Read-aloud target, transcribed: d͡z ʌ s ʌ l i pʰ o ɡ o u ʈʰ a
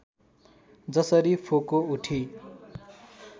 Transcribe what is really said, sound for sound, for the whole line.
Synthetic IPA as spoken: d͡z ʌ s ʌ ɾ i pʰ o k o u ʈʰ i